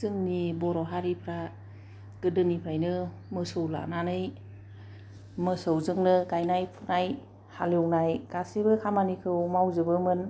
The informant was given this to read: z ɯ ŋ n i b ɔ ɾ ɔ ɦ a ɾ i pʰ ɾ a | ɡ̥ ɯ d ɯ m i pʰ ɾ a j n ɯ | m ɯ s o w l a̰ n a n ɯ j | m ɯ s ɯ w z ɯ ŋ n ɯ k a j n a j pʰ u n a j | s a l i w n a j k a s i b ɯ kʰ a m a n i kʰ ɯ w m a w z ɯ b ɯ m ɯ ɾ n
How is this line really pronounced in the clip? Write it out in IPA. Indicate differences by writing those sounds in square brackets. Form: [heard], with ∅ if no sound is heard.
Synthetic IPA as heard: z ɯ ŋ n i b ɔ ɾ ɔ ɦ a ɾ i pʰ ɾ a | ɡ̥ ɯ d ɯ [n] i pʰ ɾ a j n ɯ | m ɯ s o w l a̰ n a n ɯ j | m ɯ s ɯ w z ɯ ŋ n ɯ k a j n a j pʰ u n a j | [h] a l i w n a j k a s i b ɯ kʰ a m a n i kʰ ɯ w m a w z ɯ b ɯ m ɯ [∅] n